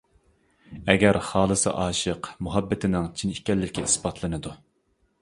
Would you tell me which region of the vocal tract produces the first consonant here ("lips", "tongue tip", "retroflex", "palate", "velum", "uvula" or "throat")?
velum